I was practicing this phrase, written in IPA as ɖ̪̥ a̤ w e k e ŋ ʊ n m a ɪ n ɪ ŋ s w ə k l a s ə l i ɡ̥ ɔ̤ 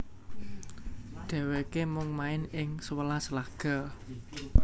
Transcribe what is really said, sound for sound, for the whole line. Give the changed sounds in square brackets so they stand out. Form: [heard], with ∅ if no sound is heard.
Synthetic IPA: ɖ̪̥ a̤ w e k e [m] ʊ [ŋ] m a ɪ n ɪ ŋ s w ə [∅] l a s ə l [a] ɡ̥ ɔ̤

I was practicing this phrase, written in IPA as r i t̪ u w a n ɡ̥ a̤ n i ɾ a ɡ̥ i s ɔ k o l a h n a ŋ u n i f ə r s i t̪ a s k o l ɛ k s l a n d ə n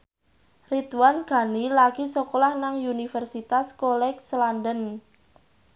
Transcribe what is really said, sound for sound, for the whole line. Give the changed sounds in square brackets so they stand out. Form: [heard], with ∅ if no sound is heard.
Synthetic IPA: r i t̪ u w a n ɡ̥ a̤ n i [l] a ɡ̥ i s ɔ k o l a h n a ŋ u n i f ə r s i t̪ a s k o l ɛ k s l a n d ə n

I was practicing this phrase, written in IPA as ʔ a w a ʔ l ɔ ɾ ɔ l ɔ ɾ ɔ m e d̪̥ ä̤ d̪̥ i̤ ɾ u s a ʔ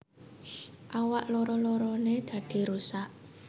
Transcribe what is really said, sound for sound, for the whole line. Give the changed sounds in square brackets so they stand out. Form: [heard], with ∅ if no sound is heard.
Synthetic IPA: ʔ a w a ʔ l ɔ ɾ ɔ l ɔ ɾ ɔ [n] e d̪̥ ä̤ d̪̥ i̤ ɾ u s a ʔ

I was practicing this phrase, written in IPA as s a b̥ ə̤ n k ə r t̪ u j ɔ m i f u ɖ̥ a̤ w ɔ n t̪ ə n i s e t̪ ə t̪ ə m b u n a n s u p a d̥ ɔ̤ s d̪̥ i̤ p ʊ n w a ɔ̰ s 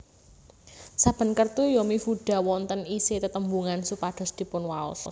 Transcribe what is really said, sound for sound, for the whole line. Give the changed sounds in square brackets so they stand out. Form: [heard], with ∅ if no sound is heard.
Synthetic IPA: s a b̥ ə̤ n k ə r t̪ u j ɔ m i f u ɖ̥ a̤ w ɔ n t̪ ə n i s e t̪ ə t̪ ə m b u [ŋ] a n s u p a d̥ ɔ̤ s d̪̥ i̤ p ʊ n w a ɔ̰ s

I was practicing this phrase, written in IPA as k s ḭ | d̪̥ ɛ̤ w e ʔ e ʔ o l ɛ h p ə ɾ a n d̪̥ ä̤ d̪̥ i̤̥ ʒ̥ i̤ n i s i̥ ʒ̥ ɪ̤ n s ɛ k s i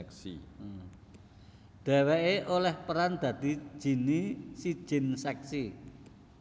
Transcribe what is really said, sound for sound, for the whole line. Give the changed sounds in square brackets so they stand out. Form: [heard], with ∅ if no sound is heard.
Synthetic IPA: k s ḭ | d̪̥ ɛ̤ w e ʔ e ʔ o l ɛ h p ə ɾ a n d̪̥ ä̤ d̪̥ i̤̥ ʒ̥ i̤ n i s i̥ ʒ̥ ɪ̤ n s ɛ k s i

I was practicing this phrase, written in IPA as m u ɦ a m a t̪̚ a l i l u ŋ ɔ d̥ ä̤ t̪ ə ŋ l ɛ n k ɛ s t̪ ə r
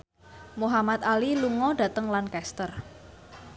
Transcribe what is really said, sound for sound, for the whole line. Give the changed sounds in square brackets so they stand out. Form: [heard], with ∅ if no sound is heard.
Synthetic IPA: m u ɦ a m a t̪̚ a l i l u ŋ ɔ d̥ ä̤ t̪ ə ŋ l [a] n k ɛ s t̪ ə r

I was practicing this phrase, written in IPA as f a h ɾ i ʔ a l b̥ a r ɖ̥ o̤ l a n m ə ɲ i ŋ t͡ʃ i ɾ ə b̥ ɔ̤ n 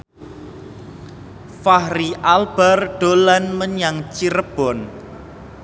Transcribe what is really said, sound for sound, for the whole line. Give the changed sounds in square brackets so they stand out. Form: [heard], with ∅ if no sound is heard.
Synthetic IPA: f a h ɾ i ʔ a l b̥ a r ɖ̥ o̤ l a n m ə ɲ [a] ŋ t͡ʃ i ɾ ə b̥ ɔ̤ n

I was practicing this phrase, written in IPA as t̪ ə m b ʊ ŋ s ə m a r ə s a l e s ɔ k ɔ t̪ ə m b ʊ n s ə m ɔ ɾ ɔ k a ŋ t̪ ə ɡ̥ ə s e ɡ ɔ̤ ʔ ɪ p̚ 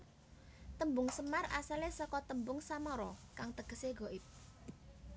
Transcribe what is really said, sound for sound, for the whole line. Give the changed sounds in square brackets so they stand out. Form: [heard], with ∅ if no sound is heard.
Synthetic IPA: t̪ ə m b ʊ ŋ s ə m a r [a] s a l e s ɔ k ɔ t̪ ə m b ʊ [ŋ] s [a] m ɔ ɾ ɔ k a ŋ t̪ ə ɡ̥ ə s e ɡ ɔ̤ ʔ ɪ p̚

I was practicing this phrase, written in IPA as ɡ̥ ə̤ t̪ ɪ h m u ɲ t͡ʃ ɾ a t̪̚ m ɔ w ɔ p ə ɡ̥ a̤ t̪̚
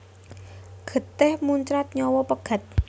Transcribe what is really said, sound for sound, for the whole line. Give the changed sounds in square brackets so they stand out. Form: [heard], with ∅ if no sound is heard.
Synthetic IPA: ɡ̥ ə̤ t̪ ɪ h m u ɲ t͡ʃ ɾ a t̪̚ [ɲ] ɔ w ɔ p ə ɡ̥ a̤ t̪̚

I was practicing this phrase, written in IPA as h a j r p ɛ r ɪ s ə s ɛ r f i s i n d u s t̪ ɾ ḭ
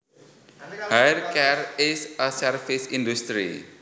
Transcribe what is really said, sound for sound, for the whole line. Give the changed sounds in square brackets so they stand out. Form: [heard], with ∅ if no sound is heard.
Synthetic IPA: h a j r [k] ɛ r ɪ s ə s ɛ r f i s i n d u s t̪ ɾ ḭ

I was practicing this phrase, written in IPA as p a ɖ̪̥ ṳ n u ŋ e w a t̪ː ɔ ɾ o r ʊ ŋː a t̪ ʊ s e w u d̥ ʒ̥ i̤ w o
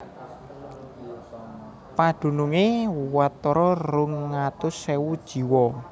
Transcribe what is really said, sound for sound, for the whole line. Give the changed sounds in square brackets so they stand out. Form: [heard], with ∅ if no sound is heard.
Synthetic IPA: p a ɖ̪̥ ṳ n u ŋ e w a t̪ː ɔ ɾ [ɔ] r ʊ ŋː a t̪ ʊ s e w u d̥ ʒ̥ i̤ w [ɔ]

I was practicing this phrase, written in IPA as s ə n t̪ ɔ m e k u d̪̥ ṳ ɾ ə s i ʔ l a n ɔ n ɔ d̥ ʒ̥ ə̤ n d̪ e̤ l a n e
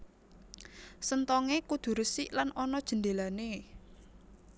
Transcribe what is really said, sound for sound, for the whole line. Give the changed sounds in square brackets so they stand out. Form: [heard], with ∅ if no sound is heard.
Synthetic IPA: s ə n t̪ ɔ [ŋ] e k u d̪̥ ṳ ɾ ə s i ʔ l a n ɔ n ɔ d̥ ʒ̥ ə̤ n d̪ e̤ l a n e

